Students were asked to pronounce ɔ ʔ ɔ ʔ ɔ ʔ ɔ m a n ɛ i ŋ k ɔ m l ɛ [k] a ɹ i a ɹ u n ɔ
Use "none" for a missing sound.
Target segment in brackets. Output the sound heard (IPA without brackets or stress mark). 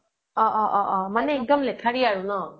kʰ